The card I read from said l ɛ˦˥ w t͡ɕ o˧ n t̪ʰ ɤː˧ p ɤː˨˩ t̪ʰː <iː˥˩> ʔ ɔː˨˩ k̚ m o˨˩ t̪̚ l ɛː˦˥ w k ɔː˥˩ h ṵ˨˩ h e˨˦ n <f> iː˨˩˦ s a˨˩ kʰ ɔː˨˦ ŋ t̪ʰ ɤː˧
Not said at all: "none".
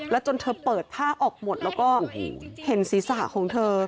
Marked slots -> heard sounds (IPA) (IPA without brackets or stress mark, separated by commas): aː˥˩, s